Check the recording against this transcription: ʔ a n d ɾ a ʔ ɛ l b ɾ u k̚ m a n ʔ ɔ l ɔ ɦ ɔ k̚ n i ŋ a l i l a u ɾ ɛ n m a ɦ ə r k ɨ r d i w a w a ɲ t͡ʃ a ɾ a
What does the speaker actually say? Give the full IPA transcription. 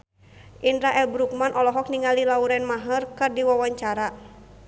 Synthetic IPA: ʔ i n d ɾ a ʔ ɛ l b ɾ u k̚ m a n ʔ ɔ l ɔ ɦ ɔ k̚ n i ŋ a l i l a u ɾ ɛ n m a ɦ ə r k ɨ r d i w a w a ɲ t͡ʃ a ɾ a